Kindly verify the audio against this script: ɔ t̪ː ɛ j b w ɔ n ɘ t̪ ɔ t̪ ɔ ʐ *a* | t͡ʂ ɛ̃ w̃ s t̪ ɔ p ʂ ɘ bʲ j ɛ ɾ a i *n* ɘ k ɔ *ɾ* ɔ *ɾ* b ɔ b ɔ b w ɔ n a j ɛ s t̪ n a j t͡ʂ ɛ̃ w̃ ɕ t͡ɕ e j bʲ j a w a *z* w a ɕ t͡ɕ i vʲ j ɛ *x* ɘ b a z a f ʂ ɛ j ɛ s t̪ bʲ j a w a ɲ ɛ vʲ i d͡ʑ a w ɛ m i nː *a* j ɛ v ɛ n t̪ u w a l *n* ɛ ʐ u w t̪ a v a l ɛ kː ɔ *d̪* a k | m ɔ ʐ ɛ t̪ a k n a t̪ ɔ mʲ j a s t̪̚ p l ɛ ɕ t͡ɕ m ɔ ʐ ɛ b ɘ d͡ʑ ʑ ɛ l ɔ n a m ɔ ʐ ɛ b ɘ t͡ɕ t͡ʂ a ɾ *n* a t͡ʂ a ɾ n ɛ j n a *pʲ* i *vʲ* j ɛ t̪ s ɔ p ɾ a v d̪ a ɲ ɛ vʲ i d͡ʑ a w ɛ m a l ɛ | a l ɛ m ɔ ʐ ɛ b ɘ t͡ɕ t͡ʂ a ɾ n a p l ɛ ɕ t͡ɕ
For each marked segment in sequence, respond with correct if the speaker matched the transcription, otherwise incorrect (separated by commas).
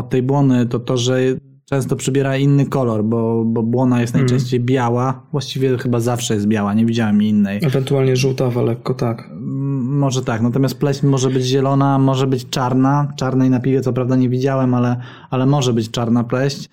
incorrect, incorrect, incorrect, correct, incorrect, correct, incorrect, incorrect, incorrect, correct, correct, correct